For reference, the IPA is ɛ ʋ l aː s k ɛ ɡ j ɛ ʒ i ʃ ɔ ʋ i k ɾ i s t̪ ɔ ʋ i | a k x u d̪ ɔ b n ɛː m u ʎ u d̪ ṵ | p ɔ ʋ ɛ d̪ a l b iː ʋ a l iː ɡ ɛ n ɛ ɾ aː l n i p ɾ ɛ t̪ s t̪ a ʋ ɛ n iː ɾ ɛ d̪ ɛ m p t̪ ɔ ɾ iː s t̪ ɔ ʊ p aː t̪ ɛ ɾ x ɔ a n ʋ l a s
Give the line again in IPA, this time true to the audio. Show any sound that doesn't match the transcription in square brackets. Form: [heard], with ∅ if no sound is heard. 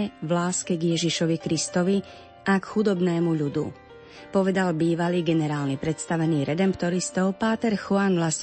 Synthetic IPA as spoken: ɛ ʋ l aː s k ɛ ɡ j ɛ ʒ i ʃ ɔ ʋ i k ɾ i s t̪ ɔ ʋ i | a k x u d̪ ɔ b n ɛː m u ʎ u d̪ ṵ | p ɔ ʋ ɛ d̪ a l b iː ʋ a l iː ɡ ɛ n ɛ ɾ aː l n i p ɾ ɛ t̪ s t̪ a ʋ ɛ n iː ɾ ɛ d̪ ɛ m p t̪ ɔ ɾ [i] s t̪ ɔ ʊ p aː t̪ ɛ ɾ x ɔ a n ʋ l a s